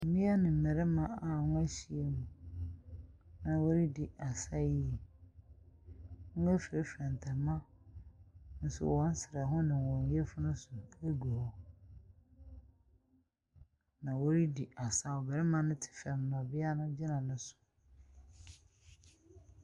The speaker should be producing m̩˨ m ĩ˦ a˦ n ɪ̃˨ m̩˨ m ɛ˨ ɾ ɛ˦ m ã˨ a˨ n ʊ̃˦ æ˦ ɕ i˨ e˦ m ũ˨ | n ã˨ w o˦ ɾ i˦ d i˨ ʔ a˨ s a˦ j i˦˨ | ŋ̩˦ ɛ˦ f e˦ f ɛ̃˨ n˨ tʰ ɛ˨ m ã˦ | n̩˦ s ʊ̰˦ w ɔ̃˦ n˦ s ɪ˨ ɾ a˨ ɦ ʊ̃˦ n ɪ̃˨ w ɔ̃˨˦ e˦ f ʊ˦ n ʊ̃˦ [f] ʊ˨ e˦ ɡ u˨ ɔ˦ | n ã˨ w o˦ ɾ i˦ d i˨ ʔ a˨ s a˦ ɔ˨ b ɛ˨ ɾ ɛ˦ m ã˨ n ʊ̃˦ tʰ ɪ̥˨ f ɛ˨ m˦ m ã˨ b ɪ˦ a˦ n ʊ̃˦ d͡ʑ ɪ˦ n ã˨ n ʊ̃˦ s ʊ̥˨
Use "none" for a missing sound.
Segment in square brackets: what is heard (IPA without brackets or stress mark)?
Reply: s